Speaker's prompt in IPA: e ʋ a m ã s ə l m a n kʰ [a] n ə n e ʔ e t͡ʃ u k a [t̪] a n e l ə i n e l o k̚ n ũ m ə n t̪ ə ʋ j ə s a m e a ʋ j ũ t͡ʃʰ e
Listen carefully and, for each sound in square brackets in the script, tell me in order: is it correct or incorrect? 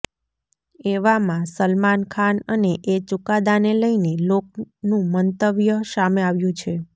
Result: correct, incorrect: d̪

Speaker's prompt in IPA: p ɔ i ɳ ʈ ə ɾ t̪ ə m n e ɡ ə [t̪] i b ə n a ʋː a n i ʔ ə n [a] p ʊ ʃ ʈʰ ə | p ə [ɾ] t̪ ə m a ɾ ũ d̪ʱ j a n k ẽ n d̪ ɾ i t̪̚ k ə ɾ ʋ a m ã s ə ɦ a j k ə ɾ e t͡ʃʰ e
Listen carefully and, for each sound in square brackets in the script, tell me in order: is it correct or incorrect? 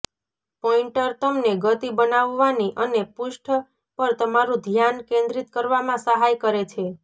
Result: correct, incorrect: e, correct

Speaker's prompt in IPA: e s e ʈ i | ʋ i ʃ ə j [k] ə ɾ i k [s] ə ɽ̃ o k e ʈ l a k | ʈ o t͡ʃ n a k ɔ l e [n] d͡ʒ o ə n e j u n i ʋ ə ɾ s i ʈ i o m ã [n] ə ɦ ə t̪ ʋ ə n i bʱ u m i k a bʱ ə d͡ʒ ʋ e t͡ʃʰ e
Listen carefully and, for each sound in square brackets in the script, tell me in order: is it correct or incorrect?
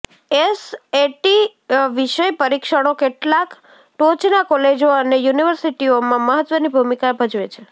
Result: incorrect: p, incorrect: ʃ, incorrect: none, incorrect: m

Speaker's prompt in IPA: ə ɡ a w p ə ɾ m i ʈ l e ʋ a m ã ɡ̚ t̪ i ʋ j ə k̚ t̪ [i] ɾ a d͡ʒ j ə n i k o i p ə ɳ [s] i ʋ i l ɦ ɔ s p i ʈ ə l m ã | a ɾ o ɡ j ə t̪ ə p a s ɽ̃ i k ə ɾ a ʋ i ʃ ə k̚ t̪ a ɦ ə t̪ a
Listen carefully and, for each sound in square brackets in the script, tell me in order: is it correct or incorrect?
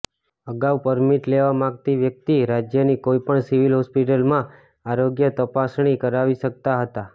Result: correct, correct

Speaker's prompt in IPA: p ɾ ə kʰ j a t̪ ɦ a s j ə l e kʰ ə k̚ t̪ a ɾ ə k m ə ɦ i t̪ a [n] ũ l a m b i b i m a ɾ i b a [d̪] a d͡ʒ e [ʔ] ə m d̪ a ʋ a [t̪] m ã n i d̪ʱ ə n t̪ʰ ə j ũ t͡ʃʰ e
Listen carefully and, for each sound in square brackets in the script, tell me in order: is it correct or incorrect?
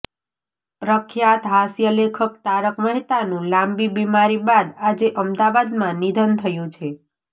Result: correct, correct, correct, incorrect: d̪

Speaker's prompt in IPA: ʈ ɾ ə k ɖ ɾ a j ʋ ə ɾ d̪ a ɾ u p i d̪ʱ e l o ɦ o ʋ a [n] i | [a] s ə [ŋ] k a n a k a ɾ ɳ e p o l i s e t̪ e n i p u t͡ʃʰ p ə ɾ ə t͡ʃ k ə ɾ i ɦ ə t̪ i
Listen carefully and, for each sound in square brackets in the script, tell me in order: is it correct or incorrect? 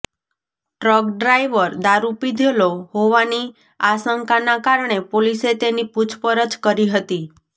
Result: correct, correct, correct

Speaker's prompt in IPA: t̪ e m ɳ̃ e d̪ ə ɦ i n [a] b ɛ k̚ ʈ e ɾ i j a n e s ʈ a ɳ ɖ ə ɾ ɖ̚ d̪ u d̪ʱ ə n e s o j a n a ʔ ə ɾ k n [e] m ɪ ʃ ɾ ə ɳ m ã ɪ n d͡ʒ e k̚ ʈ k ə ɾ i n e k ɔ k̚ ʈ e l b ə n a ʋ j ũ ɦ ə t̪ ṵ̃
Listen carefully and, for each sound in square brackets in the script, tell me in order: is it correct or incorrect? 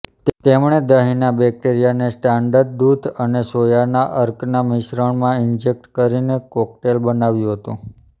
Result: correct, incorrect: a

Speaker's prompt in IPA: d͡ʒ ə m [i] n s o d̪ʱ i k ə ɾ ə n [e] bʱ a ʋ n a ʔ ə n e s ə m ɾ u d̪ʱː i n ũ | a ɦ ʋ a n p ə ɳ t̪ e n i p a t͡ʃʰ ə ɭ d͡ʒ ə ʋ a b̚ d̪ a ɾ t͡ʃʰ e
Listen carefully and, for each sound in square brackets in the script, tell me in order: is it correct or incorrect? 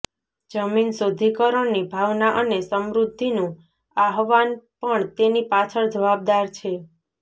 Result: correct, incorrect: i

